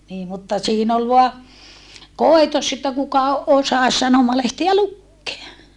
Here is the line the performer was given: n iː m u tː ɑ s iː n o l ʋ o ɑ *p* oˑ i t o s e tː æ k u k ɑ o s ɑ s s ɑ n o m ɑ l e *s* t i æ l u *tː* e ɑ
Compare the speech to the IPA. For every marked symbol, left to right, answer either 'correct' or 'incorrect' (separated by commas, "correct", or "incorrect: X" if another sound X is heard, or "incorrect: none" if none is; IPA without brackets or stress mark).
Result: incorrect: k, incorrect: h, incorrect: kː